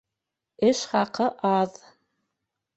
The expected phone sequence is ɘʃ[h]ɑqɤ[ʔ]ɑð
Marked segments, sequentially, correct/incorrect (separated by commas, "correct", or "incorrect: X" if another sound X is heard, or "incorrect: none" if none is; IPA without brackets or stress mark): incorrect: χ, correct